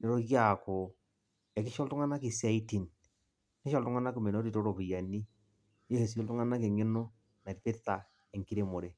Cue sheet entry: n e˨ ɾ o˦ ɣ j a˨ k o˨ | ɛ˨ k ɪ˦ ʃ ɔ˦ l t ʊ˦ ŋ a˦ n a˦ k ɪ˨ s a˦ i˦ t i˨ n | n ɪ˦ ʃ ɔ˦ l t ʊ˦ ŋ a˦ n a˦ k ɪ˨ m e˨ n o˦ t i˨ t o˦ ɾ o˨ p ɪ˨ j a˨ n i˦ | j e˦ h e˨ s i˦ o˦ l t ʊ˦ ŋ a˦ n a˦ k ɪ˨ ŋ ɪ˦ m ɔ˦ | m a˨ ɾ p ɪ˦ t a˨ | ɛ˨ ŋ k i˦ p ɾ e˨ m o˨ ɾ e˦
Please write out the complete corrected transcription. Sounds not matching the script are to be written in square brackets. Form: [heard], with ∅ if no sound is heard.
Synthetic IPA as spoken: n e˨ ɾ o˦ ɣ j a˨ k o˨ | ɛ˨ k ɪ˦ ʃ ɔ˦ l t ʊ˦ ŋ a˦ n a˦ k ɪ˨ s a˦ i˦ t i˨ n | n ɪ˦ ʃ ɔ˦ l t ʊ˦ ŋ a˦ n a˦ k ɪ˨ m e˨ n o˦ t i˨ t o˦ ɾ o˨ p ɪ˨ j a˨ n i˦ | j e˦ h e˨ s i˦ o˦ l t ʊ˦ ŋ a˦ n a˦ k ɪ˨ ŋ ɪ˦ [n] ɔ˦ | [n] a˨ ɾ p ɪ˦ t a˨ | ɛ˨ ŋ k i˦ [∅] ɾ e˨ m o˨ ɾ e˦